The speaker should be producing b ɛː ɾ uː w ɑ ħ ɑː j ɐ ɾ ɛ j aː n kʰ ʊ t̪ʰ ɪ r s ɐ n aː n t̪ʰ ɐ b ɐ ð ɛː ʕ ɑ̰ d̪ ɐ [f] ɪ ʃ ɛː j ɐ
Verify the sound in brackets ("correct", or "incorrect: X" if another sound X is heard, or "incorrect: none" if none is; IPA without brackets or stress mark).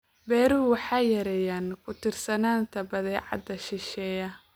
incorrect: ʃ